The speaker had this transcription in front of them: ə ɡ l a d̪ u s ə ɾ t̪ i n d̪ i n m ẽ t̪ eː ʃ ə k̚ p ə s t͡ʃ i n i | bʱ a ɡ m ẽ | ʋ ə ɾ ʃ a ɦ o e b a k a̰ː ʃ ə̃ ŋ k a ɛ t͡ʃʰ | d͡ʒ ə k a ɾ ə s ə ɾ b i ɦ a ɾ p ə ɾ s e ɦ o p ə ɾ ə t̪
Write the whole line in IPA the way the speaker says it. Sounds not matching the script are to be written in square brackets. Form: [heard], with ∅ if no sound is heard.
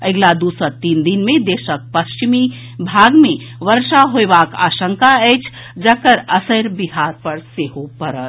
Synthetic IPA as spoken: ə ɡ l a d̪ u s ə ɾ t̪ i n d̪ i n m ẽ [d̪] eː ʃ ə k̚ p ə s t͡ʃ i [m] i | bʱ a ɡ m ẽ | ʋ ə ɾ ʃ a ɦ o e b a k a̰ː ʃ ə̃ ŋ k a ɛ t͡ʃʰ | d͡ʒ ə k [ə] ɾ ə s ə ɾ b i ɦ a ɾ p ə ɾ s e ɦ o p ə ɾ ə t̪